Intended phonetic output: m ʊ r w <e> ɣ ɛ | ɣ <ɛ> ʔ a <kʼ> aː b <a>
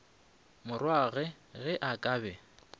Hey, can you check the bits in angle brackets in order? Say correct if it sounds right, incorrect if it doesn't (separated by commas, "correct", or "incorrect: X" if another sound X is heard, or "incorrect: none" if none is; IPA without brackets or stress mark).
incorrect: a, correct, correct, incorrect: ɛ